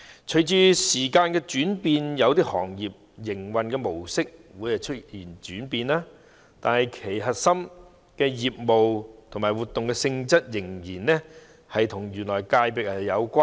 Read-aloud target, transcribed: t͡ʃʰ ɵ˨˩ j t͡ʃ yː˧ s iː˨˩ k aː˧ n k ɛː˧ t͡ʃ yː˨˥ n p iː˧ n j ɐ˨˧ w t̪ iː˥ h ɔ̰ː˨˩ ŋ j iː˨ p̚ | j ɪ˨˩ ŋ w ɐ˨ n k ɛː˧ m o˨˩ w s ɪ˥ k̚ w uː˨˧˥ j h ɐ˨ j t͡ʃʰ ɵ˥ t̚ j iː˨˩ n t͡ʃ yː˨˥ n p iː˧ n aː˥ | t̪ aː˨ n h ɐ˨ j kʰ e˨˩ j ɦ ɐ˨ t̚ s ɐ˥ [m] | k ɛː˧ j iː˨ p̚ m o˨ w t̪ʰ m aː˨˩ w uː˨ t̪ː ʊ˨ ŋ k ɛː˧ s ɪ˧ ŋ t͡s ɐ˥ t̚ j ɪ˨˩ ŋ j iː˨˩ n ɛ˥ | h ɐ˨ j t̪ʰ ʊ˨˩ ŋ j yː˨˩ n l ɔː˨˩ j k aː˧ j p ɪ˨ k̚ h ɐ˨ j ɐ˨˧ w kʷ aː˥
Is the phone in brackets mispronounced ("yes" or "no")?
no